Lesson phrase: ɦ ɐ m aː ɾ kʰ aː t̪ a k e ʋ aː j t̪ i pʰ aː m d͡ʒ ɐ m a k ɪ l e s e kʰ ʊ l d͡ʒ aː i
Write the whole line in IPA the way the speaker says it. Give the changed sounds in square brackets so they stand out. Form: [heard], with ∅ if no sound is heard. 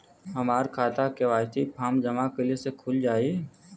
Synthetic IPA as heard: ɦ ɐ m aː ɾ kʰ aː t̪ a k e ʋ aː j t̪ i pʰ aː m d͡ʒ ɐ m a k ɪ l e s e kʰ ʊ l d͡ʒ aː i